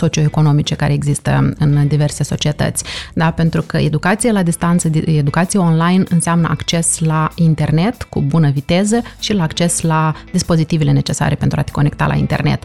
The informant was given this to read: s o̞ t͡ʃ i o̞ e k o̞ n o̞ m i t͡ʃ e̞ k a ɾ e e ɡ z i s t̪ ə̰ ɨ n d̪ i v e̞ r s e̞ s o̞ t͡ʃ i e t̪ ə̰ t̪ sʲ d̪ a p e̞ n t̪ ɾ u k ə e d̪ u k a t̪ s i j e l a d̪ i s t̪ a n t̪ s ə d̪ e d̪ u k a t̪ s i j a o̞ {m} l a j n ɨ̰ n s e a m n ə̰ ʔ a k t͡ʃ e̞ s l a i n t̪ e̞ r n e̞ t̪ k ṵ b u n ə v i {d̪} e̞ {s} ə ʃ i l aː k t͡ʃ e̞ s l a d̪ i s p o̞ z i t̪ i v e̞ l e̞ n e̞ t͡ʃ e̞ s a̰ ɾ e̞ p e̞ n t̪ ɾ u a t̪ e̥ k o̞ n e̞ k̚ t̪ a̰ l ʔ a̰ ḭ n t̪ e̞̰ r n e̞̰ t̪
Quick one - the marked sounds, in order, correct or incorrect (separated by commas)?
incorrect, incorrect, incorrect